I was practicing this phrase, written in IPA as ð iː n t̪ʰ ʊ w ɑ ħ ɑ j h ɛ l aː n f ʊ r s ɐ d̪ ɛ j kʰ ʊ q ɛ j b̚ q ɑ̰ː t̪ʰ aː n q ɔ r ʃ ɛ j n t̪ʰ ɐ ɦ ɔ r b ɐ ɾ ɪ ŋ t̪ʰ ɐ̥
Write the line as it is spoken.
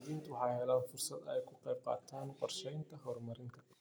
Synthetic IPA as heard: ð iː n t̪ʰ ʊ w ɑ ħ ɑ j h ɛ l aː n f ʊ r s ɐ d̪ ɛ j kʰ ʊ q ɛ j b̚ q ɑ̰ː t̪ʰ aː n q ɔ r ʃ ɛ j n t̪ʰ ɐ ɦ ɔ r m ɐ ɾ ɪ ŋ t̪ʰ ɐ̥